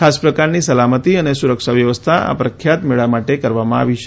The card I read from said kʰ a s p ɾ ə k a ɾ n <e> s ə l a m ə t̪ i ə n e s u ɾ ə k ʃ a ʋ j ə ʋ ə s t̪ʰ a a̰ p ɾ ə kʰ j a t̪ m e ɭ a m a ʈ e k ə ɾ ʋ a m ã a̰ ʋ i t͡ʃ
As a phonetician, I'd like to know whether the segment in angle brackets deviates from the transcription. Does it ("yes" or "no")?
yes